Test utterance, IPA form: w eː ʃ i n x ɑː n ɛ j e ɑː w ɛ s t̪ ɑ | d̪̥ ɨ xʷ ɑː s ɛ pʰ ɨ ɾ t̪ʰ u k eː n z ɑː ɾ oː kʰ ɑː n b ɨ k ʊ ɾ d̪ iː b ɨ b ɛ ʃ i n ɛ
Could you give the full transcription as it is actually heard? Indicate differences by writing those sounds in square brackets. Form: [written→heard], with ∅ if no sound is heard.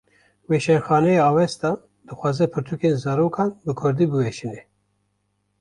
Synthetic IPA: w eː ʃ [i→ɛ] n x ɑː n ɛ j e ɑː w ɛ s t̪ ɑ | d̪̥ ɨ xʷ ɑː [s→z] ɛ pʰ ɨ ɾ t̪ʰ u k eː n z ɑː ɾ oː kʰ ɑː n b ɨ [k→kʰ] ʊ ɾ d̪ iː b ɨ [b→w] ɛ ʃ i n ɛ